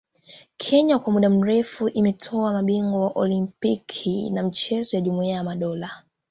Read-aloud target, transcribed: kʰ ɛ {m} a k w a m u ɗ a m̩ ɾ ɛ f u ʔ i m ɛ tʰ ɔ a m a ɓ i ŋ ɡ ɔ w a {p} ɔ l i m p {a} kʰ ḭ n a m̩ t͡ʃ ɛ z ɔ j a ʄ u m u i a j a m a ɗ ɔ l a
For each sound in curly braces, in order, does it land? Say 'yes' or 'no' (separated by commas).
no, no, no